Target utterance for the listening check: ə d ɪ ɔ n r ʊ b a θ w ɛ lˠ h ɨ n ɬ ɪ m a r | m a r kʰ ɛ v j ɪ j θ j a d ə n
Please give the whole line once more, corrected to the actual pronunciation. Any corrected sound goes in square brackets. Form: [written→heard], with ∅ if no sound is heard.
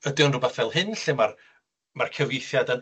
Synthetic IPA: ə d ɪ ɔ n r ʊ b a θ [w→v] ɛ lˠ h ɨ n ɬ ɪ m a r | m a r kʰ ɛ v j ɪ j θ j a d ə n